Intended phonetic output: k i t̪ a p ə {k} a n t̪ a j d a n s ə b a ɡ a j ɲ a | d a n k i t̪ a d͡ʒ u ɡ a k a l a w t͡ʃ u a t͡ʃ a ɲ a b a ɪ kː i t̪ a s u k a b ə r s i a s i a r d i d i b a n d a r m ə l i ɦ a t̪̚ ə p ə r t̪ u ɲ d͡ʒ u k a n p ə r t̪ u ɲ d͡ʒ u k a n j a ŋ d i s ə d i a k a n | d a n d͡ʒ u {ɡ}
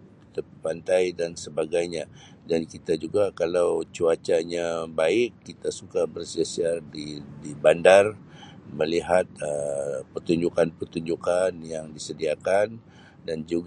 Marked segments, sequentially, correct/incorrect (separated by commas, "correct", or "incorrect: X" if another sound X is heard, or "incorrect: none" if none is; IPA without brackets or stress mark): incorrect: p, correct